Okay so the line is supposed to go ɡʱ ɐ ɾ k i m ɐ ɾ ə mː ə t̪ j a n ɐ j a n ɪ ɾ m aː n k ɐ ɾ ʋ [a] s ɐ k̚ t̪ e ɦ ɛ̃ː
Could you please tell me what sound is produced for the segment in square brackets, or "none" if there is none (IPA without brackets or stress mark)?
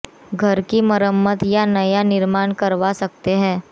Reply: a